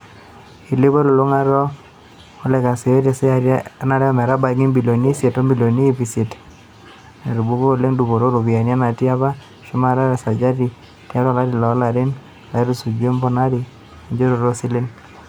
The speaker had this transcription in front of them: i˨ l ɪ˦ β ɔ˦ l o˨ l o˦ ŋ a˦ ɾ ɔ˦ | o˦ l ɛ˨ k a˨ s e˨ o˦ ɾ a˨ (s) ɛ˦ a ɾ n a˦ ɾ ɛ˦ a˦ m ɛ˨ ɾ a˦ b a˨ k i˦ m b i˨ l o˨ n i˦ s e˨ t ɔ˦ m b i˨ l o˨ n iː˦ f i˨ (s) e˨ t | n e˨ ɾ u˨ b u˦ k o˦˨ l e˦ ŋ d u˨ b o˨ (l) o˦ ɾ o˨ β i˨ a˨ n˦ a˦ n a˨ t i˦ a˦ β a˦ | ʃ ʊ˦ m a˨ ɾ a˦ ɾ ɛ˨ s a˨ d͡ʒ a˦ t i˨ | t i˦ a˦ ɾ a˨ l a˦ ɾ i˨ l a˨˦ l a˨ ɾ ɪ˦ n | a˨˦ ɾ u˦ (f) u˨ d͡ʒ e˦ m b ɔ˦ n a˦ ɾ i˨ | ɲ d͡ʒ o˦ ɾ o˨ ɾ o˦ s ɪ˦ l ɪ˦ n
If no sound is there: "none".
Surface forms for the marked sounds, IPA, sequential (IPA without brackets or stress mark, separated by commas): s, s, ɾ, s